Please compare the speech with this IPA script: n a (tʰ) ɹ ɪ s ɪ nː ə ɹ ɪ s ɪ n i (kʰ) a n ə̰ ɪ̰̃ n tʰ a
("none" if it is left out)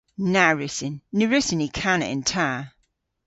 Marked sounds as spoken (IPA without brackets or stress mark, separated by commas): none, kʰ